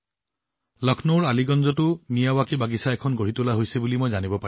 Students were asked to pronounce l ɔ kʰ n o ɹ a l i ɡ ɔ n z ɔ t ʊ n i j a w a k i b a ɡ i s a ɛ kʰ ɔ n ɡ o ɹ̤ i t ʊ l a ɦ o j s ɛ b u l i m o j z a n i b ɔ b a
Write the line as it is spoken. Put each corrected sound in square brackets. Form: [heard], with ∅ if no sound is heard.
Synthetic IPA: l ɔ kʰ n o ɹ a l i ɡ ɔ n z ɔ t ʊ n i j a w a k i b a ɡ i s a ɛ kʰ ɔ n ɡ o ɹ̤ i t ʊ l a ɦ o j s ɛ b u l i m o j z a n i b ɔ [p] a